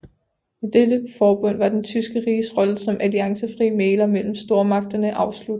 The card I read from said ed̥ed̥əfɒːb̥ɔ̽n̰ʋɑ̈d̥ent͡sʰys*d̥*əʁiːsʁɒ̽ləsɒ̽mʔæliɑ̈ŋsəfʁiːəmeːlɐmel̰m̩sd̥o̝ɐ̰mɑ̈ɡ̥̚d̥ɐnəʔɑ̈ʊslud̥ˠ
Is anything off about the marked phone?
yes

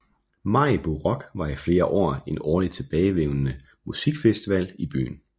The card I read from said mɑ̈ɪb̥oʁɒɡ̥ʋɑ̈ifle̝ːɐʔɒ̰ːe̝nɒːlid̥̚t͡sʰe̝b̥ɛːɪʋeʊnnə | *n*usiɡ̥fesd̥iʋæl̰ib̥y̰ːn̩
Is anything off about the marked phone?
yes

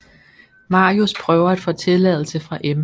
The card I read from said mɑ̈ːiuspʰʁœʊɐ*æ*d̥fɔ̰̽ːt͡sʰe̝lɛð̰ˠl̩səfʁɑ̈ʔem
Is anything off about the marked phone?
no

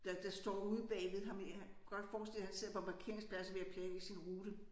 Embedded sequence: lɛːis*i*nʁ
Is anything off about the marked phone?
no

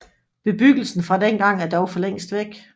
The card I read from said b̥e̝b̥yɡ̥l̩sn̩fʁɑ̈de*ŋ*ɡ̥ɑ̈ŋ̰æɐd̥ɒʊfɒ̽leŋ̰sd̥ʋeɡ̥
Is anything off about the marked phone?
yes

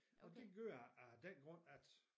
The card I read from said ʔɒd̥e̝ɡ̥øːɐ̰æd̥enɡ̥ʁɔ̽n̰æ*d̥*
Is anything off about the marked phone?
no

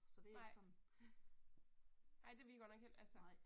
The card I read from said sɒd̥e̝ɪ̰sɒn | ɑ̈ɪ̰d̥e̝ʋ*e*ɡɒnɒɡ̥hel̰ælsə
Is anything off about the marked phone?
yes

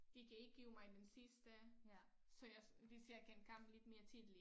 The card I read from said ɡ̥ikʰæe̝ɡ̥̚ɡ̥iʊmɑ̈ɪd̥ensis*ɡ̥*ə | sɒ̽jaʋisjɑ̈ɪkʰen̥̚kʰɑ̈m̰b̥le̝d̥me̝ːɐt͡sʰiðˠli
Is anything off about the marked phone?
yes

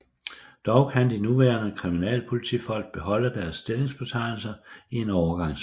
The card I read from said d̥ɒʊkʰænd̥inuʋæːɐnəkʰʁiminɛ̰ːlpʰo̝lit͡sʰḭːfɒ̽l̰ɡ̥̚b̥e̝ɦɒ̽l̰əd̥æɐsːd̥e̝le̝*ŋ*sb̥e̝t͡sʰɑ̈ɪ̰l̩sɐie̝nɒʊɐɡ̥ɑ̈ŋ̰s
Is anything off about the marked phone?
no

